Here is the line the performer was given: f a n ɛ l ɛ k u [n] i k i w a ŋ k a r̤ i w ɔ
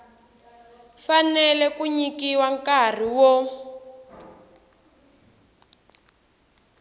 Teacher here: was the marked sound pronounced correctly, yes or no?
no